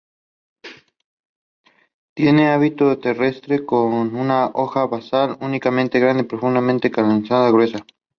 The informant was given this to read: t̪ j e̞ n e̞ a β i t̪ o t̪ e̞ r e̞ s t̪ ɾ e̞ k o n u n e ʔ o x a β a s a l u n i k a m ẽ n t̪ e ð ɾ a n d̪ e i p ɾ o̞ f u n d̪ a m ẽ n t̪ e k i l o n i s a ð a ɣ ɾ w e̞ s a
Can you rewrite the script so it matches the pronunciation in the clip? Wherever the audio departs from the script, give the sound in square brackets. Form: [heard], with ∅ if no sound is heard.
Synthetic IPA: t̪ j e̞ n e̞ a β i t̪ o t̪ e̞ r e̞ s t̪ ɾ e̞ k o n u n [a] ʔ o x a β a s a l u n i k a m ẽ n t̪ e [ɣ] ɾ a n d̪ e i p ɾ o̞ f u n d̪ a m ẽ n t̪ e k [a] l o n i s a ð a ɣ ɾ w e̞ s a